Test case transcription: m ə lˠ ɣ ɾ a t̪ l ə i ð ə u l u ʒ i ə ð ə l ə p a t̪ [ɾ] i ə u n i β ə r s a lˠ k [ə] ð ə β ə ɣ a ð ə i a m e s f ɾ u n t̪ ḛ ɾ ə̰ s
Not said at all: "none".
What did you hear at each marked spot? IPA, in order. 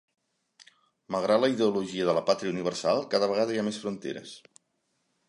ɾ, a

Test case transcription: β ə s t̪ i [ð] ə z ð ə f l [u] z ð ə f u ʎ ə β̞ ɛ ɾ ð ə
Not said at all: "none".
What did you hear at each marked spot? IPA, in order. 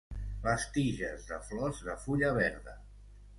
ʒ, ɔ

